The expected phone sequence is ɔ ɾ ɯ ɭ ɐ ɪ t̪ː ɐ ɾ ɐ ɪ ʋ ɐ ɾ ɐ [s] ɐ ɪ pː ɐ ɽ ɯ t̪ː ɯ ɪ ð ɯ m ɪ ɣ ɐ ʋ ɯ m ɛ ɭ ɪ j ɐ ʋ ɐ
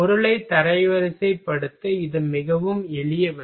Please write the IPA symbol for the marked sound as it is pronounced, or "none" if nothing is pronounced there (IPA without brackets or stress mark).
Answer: s